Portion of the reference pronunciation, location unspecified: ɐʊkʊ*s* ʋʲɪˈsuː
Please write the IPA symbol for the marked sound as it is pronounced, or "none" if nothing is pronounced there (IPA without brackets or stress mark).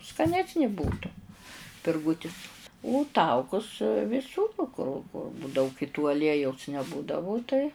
s